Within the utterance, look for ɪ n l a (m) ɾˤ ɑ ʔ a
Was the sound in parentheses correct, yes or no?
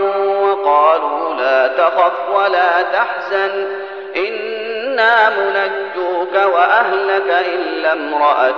yes